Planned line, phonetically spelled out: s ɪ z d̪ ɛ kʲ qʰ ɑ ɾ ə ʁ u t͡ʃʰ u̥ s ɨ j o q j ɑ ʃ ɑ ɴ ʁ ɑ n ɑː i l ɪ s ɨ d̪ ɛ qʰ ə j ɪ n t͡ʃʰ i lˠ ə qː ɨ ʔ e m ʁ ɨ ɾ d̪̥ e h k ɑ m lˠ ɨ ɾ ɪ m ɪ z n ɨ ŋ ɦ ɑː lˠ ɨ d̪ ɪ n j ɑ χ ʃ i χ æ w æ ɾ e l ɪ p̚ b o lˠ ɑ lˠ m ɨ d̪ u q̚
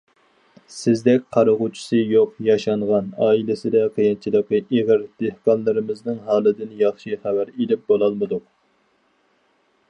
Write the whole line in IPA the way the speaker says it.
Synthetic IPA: s ɪ z d̪ ɛ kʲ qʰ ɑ ɾ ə ʁ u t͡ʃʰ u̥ s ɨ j o q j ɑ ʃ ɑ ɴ ʁ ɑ n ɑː i l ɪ s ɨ d̪ ɛ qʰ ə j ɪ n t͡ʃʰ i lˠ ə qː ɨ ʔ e ʁ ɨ ɾ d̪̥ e h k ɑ n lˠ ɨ ɾ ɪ m ɪ z n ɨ ŋ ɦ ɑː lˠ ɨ d̪ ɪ n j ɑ χ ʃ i χ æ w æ ɾ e l ɪ p̚ b o lˠ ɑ lˠ m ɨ d̪ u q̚